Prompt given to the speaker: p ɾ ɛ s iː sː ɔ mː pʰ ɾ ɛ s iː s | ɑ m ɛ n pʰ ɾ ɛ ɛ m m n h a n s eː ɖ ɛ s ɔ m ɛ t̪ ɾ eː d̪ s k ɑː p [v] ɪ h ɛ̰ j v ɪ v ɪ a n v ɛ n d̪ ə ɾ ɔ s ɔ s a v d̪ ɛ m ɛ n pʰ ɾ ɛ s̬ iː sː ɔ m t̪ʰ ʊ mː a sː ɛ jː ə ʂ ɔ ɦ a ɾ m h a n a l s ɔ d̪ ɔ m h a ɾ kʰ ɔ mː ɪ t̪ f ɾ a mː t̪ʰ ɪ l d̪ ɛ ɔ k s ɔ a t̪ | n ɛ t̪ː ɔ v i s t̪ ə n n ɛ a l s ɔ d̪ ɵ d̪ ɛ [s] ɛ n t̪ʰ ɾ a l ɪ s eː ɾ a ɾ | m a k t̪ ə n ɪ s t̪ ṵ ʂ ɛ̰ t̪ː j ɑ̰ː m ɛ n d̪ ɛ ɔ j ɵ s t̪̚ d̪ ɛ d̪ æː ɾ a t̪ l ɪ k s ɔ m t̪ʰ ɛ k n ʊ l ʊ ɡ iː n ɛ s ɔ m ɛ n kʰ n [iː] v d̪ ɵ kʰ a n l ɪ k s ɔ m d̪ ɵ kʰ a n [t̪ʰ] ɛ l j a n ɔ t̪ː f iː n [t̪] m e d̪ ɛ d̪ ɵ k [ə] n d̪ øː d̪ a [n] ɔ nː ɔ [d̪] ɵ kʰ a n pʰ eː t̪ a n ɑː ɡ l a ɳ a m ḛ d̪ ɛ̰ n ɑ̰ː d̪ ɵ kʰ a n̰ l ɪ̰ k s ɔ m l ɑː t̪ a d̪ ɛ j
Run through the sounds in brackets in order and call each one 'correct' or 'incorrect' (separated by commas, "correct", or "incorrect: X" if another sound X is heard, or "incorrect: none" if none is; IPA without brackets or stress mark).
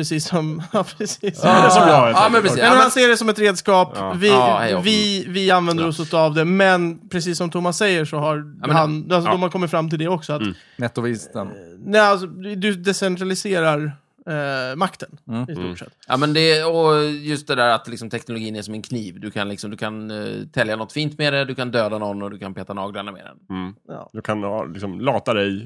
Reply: correct, correct, correct, correct, correct, incorrect: a, correct, correct